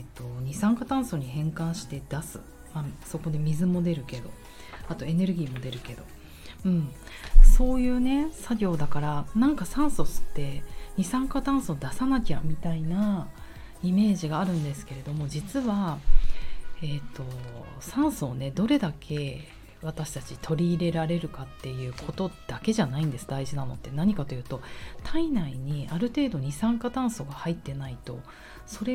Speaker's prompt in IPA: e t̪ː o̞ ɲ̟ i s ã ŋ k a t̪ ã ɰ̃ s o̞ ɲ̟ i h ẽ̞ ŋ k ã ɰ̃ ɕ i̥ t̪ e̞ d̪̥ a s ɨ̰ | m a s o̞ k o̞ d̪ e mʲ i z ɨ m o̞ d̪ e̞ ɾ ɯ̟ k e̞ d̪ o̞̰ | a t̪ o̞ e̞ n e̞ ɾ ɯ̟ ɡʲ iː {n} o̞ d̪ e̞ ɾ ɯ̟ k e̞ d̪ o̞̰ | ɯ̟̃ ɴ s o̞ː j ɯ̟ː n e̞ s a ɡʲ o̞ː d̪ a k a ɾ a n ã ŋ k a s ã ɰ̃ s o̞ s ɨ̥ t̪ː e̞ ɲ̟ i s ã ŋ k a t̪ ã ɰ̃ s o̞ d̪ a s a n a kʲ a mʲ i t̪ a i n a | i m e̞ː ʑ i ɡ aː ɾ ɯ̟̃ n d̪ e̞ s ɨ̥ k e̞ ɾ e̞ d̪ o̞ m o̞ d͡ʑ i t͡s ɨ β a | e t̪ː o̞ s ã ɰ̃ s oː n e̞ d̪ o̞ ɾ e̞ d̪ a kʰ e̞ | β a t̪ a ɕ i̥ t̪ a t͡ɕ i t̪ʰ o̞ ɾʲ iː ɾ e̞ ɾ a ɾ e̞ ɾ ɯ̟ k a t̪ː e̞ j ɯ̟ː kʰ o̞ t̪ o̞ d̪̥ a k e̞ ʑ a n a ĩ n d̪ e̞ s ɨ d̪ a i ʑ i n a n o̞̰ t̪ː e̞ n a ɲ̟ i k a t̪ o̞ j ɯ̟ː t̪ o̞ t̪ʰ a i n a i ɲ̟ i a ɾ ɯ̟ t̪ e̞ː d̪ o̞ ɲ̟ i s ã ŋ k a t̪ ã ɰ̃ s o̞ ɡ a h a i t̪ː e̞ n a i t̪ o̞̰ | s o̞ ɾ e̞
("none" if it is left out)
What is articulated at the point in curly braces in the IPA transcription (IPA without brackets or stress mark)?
m